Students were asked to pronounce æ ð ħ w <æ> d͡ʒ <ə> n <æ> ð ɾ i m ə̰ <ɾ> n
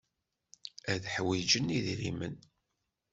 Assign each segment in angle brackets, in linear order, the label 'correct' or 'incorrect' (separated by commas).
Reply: incorrect, correct, incorrect, incorrect